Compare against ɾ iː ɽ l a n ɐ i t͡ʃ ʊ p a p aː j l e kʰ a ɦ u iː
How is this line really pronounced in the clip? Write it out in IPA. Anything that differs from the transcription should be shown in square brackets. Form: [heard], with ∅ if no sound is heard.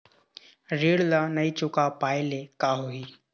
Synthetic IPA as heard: ɾ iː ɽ l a n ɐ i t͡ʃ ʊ [k] a p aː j l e [k] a ɦ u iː